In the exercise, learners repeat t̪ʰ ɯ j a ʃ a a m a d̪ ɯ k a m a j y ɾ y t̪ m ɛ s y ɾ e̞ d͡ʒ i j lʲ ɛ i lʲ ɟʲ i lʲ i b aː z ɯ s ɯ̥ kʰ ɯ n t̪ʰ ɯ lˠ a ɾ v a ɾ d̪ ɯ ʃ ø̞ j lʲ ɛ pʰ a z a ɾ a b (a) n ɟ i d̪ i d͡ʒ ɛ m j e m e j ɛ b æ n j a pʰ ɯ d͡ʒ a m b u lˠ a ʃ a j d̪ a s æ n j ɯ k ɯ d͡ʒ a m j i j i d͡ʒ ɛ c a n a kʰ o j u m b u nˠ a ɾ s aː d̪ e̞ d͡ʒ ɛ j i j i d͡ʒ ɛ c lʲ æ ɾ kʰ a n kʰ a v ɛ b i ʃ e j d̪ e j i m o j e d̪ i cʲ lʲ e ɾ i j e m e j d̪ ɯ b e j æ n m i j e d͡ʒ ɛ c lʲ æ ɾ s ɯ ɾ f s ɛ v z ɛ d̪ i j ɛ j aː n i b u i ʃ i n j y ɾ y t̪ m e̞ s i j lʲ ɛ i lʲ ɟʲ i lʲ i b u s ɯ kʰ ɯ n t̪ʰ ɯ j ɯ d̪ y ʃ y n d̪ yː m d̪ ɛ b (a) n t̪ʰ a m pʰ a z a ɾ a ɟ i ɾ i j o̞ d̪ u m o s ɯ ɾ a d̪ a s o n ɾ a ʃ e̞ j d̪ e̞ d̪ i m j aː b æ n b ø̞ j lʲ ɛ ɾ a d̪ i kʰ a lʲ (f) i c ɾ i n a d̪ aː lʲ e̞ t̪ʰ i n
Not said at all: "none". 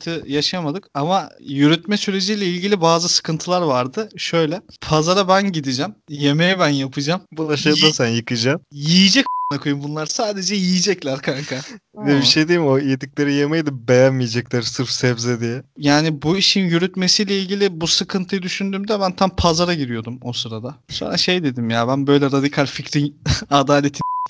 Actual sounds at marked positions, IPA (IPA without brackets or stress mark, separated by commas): æ, æ, f